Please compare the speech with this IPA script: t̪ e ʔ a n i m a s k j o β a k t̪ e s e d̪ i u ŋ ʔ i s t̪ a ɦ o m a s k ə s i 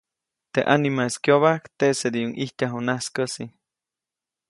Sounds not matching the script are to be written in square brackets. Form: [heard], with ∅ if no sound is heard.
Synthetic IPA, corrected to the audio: t̪ e ʔ a n i m a s k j o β a k t̪ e s e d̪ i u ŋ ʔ i [h] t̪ a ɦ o [n] a s k ə s i